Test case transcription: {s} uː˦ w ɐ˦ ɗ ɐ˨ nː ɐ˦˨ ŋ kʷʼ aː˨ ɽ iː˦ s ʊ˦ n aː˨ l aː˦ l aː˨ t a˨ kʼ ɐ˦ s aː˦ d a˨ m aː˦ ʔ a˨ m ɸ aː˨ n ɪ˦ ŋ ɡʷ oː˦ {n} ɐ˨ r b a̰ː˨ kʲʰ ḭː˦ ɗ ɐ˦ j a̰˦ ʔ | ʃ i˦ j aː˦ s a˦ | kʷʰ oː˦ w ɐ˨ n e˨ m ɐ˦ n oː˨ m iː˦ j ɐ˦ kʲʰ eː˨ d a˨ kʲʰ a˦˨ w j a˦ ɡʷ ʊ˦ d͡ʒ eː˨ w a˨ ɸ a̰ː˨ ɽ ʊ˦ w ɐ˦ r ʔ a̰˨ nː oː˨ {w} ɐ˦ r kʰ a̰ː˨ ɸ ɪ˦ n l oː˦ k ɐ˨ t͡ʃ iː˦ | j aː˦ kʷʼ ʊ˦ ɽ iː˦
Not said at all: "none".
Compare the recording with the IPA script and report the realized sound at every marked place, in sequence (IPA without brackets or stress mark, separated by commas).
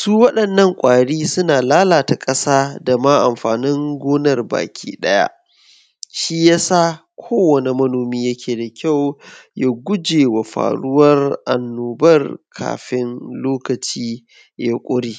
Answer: s, n, b